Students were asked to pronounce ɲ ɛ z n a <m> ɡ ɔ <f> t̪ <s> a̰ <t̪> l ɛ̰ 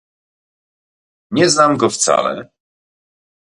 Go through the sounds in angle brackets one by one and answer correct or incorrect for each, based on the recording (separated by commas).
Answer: correct, correct, correct, incorrect